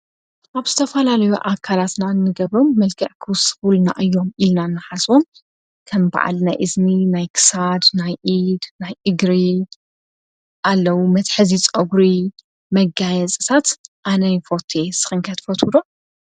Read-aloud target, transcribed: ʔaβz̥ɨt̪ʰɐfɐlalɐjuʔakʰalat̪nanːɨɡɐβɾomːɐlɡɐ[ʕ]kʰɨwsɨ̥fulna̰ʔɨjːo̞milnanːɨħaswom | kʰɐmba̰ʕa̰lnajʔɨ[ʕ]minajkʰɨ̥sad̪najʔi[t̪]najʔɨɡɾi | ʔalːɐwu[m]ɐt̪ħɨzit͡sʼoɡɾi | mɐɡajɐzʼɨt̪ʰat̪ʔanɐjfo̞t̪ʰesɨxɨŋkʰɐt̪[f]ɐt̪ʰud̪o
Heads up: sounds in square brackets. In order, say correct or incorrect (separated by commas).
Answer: correct, incorrect, incorrect, correct, correct